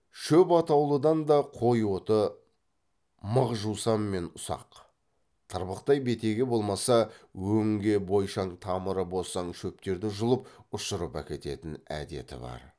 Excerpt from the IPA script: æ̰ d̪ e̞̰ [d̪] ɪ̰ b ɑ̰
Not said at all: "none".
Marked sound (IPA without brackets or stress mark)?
t̪